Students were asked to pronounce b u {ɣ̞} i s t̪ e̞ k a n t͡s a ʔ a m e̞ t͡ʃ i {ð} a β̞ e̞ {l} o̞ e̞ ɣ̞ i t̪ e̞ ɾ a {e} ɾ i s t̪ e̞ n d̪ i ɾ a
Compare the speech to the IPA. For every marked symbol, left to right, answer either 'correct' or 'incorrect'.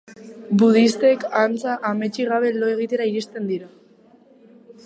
incorrect: ð̞, incorrect: ɣ, correct, incorrect: i

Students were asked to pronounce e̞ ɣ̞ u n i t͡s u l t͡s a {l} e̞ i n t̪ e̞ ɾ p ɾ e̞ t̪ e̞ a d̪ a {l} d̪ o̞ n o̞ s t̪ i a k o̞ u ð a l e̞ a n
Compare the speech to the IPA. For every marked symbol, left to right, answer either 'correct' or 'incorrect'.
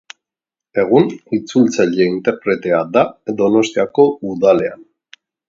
incorrect: ʎ, incorrect: none

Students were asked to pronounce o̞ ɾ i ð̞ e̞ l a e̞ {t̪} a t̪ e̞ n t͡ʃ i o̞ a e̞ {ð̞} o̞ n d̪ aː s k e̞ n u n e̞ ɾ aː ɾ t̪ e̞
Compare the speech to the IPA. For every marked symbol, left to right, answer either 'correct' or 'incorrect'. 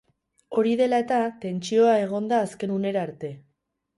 correct, incorrect: ɣ̞

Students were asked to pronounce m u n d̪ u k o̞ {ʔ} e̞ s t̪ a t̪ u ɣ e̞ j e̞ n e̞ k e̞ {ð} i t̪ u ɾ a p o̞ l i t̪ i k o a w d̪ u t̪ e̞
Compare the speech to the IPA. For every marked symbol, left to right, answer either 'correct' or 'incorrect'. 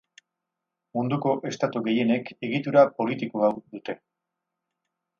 correct, incorrect: ɣ

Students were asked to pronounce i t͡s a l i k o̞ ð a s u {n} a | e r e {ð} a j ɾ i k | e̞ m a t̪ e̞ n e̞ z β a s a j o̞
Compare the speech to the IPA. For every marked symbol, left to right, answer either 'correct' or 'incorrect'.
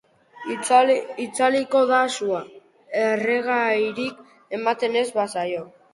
incorrect: none, incorrect: ɣ

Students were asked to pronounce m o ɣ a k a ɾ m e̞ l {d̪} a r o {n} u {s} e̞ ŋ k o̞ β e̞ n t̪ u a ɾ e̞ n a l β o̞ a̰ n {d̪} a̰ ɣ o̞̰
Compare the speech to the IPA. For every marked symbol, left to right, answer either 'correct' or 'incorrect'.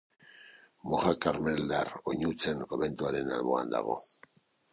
correct, incorrect: ɲ, incorrect: t͡s, correct

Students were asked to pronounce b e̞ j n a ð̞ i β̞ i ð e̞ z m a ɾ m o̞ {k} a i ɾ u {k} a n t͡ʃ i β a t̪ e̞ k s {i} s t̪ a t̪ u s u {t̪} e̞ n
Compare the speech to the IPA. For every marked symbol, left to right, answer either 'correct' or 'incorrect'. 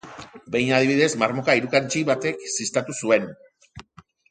correct, correct, correct, incorrect: none

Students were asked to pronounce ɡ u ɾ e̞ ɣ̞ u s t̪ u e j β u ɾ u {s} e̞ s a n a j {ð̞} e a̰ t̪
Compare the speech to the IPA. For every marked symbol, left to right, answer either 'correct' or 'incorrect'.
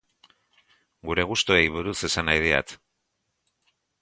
correct, correct

